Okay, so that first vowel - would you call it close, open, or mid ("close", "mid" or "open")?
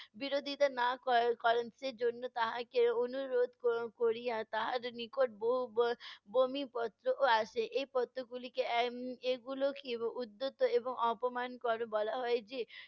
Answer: close